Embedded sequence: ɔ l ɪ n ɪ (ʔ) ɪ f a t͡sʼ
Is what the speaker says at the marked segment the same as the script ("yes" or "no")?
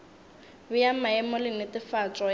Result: no